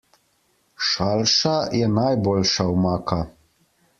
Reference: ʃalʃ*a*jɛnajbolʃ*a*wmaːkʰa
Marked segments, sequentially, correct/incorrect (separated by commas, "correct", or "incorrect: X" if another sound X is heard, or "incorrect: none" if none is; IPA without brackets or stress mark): correct, correct